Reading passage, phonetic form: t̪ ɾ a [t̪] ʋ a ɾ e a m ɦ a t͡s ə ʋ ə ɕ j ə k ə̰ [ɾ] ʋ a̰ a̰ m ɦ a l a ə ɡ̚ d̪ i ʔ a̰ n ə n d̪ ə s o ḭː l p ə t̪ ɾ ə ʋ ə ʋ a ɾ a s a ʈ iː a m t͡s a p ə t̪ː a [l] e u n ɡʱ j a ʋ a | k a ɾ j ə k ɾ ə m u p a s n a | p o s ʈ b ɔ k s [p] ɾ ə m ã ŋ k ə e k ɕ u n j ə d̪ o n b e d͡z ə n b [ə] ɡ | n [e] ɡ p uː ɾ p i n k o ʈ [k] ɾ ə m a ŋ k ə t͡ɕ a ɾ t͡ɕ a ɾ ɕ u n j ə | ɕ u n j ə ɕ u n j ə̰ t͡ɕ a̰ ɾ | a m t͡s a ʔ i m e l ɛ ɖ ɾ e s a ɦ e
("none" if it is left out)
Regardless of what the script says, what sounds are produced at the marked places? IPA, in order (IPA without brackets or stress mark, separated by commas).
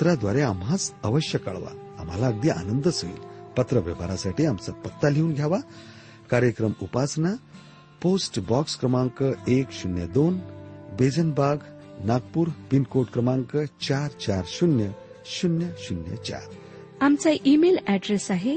d̪, ɭ, l, k, a, a, k